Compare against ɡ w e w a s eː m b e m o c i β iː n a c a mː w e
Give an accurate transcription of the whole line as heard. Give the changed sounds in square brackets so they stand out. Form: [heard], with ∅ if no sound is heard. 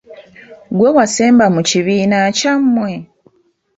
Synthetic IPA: ɡ w e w a s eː m b [a] m [u] c i β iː n a c a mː w e